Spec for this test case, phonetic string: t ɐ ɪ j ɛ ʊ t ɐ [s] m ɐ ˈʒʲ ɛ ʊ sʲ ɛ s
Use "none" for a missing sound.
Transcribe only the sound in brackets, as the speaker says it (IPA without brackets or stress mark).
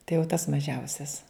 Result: s